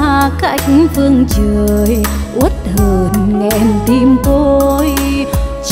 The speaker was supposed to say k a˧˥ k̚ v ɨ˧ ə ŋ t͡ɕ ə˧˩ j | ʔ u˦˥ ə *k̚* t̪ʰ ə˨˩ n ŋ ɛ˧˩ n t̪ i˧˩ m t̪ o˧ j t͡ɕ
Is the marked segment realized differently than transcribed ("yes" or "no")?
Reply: yes